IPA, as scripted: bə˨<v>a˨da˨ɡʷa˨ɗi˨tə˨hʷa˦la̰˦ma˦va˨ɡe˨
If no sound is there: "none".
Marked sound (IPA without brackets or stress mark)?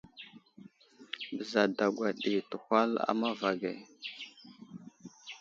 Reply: z